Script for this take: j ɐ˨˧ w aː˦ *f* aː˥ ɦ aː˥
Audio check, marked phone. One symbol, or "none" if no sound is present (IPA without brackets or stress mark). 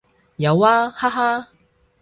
h